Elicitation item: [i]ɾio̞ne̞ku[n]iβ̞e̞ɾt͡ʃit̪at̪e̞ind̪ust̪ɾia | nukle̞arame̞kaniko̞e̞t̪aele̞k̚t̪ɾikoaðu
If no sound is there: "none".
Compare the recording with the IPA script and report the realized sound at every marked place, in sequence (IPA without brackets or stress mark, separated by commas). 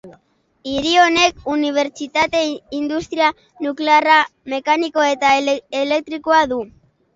i, n